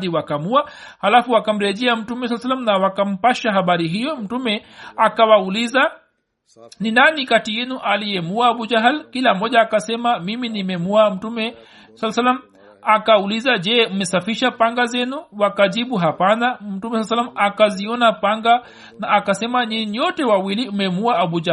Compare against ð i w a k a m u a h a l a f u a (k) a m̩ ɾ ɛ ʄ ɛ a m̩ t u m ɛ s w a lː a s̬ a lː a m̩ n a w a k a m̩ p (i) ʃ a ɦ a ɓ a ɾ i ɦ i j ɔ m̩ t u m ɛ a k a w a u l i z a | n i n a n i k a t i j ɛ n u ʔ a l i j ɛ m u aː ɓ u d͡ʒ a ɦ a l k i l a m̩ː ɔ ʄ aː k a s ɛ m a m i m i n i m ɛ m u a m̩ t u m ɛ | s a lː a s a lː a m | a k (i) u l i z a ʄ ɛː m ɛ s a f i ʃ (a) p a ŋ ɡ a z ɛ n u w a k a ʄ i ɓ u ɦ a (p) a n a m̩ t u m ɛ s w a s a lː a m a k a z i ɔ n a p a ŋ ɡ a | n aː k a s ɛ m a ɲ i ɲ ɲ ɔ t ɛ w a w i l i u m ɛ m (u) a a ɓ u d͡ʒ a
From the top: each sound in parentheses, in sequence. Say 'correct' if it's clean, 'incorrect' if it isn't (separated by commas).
correct, incorrect, incorrect, correct, correct, correct